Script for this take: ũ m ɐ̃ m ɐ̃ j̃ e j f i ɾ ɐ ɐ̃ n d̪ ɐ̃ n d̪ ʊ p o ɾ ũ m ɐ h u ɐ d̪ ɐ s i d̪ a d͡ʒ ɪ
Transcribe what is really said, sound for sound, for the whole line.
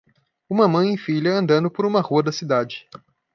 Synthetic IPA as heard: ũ m ɐ m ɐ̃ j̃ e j f i ʎ ɐ ɐ̃ n d̪ ɐ̃ n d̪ ʊ p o ɾ ũ m ɐ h u ɐ d̪ ɐ s i d̪ a d͡ʒ ɪ

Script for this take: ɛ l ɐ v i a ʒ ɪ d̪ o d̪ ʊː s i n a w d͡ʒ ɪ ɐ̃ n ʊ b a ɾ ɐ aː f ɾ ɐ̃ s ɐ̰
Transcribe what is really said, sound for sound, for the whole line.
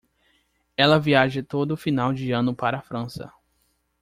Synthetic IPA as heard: ɛ l ɐ v i a ʒ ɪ t̪ o d̪ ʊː f i n a w d͡ʒ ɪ ɐ̃ n ʊ p a ɾ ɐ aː f ɾ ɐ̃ s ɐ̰

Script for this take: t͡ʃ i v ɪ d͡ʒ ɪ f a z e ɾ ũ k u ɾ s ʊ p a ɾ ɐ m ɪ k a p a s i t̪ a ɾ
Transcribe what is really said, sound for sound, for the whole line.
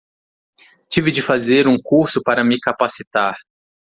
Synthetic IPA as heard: t͡ʃ i v ɪ d͡ʒ ɪ f a z e ɾ ũ k u ɾ s ʊ p a ɾ ɐ m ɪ k a p a s i t̪ a ɾ

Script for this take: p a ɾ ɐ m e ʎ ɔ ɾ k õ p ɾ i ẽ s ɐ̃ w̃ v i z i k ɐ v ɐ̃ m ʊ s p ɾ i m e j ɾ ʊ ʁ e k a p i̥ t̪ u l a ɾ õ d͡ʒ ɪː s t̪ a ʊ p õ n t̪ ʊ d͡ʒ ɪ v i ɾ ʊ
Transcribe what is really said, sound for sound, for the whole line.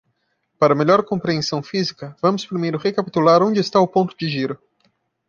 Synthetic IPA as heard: p a ɾ ɐ m e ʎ ɔ ɾ k õ p ɾ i ẽ s ɐ̃ w̃ f i z i k ɐ v ɐ̃ m ʊ s p ɾ i m e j ɾ ʊ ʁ e k a p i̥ t̪ u l a ɾ õ d͡ʒ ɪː s t̪ a ʊ p õ n t̪ ʊ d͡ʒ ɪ ʒ i ɾ ʊ

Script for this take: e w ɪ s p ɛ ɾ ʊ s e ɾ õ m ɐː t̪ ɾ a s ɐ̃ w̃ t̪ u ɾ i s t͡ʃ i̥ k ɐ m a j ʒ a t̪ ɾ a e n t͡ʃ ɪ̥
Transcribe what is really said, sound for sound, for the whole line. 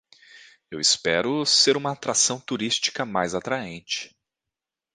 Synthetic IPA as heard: e w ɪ s p ɛ ɾ ʊ s e ɾ ũ m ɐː t̪ ɾ a s ɐ̃ w̃ t̪ u ɾ i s t͡ʃ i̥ k ɐ m a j z a t̪ ɾ a ẽ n t͡ʃ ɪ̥

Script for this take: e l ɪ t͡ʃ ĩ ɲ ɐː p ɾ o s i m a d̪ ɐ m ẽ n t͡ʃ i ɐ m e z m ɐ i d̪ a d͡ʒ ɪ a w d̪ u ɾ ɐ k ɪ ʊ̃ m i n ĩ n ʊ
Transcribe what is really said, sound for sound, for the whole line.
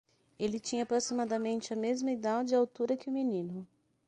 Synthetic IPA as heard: e l ɪ t͡ʃ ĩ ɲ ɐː p ɾ o s i m a d̪ ɐ m ẽ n t͡ʃ ɪ ɐ m e z m ɐ i d̪ a d͡ʒ ɪ a w t̪ u ɾ ɐ k ɪ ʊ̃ m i n ĩ n ʊ

